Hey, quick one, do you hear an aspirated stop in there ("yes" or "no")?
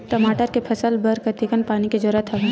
yes